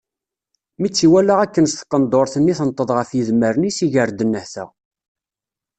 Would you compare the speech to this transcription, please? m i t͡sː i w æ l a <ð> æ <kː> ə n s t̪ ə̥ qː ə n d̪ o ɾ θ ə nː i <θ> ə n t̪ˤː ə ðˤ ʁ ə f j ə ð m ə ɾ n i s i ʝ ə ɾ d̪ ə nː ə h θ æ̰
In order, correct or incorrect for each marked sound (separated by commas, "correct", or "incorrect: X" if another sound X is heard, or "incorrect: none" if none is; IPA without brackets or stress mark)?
incorrect: ʁ, correct, correct